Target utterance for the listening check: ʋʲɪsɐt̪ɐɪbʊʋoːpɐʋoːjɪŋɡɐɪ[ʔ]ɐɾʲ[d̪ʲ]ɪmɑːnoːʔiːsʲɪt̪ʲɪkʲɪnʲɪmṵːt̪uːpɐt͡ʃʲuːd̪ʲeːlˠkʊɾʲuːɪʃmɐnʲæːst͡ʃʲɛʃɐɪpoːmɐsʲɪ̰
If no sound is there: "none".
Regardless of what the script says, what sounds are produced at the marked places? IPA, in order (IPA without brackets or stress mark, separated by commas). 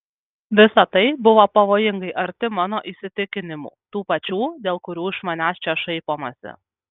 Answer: ʔ, t̪ʲ